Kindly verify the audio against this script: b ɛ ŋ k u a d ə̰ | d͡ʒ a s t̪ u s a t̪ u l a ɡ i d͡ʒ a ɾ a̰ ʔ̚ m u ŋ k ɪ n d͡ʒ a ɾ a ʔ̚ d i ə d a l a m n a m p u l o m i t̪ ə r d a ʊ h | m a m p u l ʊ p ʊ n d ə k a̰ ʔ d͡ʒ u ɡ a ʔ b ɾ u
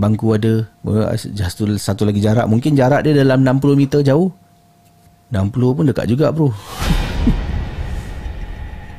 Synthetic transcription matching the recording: b a ŋ k u a d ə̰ | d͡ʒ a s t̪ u s a t̪ u l a ɡ i d͡ʒ a ɾ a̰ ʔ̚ m u ŋ k ɪ n d͡ʒ a ɾ a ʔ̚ d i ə d a l a m n a m p u l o m i t̪ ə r d͡ʒ a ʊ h | n a m p u l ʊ p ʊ n d ə k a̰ ʔ d͡ʒ u ɡ a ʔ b ɾ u